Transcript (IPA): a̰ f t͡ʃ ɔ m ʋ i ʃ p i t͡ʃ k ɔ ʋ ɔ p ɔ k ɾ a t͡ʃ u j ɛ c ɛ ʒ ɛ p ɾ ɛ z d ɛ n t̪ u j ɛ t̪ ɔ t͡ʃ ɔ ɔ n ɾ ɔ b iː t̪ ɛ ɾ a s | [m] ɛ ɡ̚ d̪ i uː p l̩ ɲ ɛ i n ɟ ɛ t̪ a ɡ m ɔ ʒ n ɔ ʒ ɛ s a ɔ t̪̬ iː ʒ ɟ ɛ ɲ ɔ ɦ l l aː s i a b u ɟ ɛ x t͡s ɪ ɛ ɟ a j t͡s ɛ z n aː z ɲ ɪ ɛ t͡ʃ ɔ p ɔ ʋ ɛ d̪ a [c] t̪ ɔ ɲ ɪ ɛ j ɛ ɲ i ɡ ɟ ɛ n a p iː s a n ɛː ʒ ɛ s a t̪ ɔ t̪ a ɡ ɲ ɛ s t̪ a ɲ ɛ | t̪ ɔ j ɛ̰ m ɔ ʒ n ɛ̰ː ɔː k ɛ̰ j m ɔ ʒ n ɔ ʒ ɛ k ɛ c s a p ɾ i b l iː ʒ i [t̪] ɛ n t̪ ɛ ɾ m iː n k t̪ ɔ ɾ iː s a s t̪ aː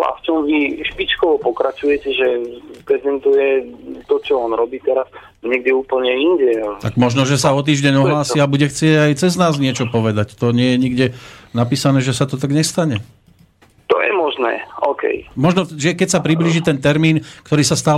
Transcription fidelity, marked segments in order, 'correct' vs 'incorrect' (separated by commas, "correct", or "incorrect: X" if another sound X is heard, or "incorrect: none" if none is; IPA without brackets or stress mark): incorrect: ɲ, correct, correct